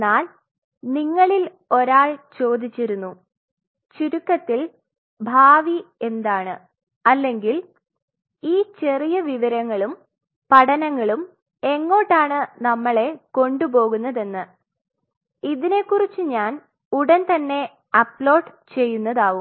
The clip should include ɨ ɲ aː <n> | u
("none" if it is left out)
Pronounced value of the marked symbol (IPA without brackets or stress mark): n